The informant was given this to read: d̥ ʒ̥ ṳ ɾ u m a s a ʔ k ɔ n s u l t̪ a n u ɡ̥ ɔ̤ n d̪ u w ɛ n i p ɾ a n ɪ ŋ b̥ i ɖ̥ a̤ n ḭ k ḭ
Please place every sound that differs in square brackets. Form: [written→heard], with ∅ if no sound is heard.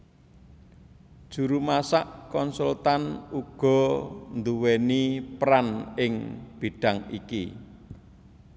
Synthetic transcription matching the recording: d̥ ʒ̥ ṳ ɾ u m a s a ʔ k ɔ n s u l t̪ a n u ɡ̥ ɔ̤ n d̪ u w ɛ n i p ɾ a n ɪ ŋ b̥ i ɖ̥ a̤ [n→ŋ] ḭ k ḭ